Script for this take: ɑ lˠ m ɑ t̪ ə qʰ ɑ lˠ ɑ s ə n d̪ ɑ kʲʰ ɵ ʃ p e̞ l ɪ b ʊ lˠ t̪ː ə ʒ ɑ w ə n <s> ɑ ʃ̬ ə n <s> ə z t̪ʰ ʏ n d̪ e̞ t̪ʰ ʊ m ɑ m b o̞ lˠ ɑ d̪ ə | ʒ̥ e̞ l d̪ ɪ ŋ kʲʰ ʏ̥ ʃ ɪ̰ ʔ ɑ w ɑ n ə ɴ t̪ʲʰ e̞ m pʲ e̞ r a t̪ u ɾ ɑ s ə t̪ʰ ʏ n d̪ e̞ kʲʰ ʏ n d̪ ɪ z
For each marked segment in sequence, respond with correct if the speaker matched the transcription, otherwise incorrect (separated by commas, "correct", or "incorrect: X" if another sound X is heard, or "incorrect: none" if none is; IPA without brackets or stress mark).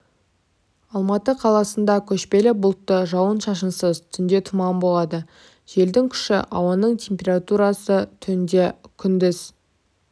incorrect: ʃ, correct